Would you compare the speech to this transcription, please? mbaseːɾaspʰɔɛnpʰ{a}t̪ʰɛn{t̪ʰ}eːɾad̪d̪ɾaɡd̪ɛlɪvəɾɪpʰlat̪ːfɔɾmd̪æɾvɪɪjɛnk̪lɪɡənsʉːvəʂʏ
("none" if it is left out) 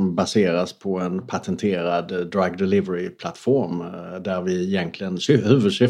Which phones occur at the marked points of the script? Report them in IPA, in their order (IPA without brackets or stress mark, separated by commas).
a, t̪ʰ